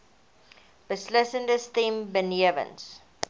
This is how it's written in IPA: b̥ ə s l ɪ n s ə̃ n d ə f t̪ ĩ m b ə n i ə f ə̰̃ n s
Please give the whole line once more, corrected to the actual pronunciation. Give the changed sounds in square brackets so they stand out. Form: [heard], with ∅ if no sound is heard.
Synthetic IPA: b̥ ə s l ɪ [∅] s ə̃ n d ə [s] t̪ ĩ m b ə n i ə [v] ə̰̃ n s